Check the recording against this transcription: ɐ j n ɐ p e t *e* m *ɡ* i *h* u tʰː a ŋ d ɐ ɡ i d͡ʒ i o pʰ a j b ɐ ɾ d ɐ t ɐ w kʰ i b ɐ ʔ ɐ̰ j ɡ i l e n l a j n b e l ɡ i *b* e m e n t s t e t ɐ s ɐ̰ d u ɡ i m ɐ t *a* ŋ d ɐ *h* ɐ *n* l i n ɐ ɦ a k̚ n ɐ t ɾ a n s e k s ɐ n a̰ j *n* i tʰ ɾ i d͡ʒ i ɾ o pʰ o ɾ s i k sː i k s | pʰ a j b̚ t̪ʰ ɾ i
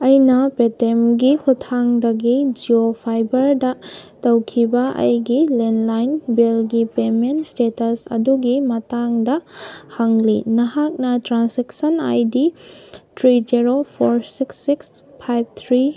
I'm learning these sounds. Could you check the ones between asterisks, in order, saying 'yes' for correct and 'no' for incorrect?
yes, yes, yes, no, yes, yes, no, no

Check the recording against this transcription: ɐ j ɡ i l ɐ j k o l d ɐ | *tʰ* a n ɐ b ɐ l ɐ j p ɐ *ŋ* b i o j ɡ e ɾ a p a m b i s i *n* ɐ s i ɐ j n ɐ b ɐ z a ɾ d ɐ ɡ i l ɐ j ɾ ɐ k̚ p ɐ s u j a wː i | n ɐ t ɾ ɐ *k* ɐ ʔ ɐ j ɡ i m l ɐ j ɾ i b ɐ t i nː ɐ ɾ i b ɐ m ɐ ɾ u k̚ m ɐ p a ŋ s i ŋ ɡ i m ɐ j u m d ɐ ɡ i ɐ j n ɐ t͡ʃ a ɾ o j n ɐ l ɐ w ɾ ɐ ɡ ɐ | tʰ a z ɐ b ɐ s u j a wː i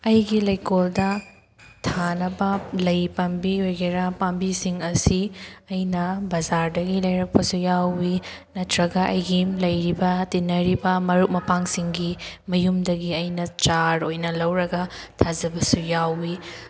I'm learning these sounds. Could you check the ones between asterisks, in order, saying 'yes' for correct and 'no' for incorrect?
yes, no, no, no

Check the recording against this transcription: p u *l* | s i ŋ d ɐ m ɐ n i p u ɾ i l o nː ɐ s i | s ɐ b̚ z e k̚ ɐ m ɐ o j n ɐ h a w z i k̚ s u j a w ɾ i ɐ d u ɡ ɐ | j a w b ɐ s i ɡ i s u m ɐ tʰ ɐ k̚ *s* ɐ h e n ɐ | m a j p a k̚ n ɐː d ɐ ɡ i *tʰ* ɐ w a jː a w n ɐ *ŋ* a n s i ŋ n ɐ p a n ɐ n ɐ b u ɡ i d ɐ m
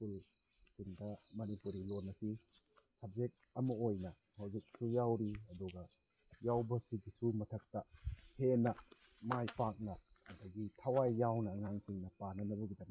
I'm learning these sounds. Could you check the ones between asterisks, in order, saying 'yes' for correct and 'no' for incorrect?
yes, no, yes, yes

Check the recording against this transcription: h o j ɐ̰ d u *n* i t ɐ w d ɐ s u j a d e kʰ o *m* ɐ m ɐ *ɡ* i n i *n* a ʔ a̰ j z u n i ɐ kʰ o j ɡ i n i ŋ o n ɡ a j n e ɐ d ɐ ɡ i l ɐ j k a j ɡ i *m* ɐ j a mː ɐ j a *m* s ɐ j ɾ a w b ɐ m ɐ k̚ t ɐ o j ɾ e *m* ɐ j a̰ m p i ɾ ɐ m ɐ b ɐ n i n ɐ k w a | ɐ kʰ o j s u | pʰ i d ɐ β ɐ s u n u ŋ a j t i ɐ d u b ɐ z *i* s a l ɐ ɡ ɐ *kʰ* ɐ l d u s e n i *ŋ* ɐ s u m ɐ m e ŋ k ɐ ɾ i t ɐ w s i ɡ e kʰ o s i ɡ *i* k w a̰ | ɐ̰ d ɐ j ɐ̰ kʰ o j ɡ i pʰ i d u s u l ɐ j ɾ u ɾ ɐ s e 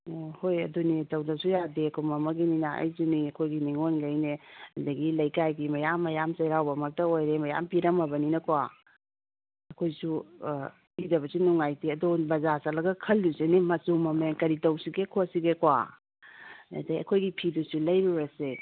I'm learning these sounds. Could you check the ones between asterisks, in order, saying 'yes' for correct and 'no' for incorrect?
yes, yes, yes, yes, yes, yes, yes, no, yes, no, no

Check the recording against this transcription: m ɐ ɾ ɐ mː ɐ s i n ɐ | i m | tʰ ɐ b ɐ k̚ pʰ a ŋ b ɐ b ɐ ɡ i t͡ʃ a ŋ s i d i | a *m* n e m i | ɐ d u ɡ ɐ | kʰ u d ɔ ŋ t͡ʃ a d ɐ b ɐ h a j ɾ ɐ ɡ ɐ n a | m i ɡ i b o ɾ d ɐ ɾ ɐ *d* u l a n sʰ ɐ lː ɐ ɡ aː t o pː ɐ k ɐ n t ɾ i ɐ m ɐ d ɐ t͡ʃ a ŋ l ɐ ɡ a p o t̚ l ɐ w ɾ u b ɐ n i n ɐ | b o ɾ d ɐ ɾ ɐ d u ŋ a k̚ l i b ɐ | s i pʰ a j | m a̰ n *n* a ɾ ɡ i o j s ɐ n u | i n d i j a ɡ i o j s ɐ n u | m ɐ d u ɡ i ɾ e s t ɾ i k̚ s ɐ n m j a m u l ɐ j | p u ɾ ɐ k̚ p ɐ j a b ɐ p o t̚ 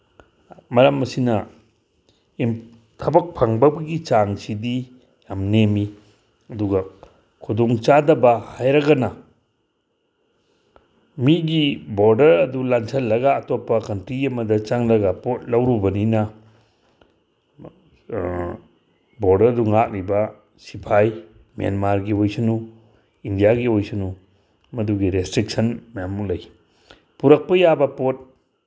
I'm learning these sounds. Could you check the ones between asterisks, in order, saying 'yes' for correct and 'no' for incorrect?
yes, yes, no

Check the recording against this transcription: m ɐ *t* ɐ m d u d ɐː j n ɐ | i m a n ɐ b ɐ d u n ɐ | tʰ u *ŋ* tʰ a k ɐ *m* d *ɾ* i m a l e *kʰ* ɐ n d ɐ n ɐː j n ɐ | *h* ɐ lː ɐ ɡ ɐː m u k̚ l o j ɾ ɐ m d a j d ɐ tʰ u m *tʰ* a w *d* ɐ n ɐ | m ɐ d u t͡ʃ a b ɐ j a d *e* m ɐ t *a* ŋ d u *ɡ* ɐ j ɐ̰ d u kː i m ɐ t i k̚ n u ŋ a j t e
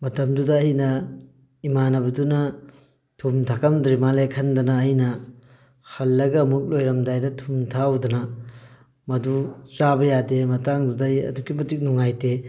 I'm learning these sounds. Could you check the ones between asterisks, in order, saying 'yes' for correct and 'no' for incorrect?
yes, no, yes, yes, yes, yes, yes, yes, yes, yes, no

